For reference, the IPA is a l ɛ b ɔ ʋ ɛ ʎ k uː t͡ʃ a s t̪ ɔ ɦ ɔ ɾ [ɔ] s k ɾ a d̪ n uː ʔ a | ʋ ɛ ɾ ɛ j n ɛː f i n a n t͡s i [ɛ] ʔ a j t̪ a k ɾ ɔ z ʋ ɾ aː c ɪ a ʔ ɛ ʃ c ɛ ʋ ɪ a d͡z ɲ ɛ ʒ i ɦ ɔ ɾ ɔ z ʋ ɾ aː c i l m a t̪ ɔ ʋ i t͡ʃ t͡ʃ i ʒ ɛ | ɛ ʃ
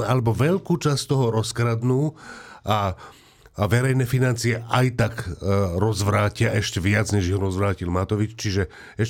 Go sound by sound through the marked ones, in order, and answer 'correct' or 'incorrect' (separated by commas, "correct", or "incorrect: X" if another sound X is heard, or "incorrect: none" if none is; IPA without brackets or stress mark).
correct, correct